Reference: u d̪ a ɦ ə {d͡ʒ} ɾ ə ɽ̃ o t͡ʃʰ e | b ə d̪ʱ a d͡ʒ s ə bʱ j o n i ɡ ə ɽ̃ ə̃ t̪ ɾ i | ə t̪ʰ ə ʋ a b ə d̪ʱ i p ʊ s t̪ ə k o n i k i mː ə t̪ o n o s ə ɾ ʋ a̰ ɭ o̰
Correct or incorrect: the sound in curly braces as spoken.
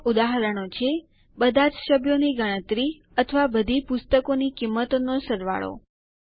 incorrect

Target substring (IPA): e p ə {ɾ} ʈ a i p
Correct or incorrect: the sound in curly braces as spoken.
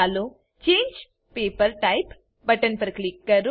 correct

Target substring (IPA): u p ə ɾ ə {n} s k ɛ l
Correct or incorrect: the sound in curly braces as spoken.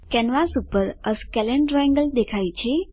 incorrect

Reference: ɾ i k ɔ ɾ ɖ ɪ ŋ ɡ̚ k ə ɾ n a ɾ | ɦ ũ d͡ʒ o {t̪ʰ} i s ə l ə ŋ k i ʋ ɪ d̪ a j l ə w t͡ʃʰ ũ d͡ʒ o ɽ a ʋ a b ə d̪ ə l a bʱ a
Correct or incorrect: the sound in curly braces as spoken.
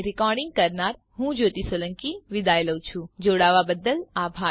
incorrect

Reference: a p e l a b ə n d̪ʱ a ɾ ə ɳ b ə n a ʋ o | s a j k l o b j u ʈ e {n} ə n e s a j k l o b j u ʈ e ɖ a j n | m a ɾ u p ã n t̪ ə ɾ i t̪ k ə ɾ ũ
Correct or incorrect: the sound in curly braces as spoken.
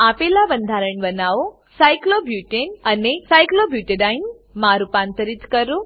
correct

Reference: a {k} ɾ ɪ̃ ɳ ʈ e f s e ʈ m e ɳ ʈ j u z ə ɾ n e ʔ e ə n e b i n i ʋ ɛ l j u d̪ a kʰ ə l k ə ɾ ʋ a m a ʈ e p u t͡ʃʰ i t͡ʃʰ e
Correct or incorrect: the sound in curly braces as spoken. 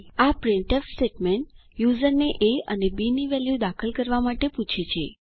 incorrect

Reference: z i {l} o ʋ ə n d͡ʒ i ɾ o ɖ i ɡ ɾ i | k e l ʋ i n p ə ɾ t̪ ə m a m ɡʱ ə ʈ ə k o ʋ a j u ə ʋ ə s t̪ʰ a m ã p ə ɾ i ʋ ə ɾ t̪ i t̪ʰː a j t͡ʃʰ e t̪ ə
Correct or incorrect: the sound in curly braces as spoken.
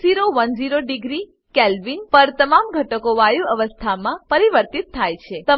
incorrect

